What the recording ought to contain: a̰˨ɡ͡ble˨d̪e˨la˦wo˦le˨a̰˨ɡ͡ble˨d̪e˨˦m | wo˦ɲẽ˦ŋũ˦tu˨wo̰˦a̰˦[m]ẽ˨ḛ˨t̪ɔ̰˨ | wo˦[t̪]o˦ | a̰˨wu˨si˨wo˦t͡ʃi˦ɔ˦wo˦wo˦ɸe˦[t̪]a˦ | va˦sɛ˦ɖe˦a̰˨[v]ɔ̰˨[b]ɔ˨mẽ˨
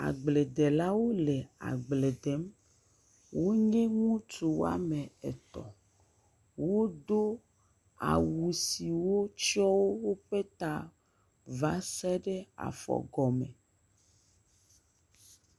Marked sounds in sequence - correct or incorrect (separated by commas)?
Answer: correct, incorrect, correct, incorrect, incorrect